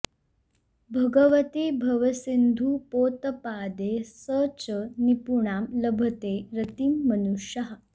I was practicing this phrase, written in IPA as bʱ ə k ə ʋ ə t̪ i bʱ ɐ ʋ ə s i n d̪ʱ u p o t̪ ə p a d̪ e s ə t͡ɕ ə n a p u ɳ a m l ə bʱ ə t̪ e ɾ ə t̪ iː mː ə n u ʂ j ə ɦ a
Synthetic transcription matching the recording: bʱ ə ɡ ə ʋ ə t̪ i bʱ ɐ ʋ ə s i n d̪ʱ u p o t̪ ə p a d̪ e s ə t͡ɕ ə n i p u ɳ a m l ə bʱ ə t̪ e ɾ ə t̪ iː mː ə n u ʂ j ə ɦ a